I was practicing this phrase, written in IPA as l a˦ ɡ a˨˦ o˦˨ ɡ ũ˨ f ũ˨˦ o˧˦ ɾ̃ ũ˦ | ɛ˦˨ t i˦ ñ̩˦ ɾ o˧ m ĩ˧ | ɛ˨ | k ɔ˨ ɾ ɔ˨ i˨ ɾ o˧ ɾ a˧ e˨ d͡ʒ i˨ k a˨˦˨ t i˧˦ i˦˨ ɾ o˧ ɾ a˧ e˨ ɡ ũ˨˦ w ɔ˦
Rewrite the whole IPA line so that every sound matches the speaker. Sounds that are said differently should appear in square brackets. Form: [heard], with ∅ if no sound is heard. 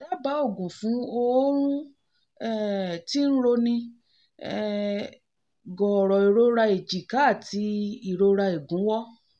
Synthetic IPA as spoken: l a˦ [b] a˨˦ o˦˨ ɡ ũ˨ f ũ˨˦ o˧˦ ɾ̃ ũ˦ | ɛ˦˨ t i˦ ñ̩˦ ɾ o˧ [n] ĩ˧ | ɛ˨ | [ɡ] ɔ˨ ɾ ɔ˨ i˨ ɾ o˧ ɾ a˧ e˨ d͡ʒ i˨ k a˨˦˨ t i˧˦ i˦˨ ɾ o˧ ɾ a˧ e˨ ɡ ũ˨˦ w ɔ˦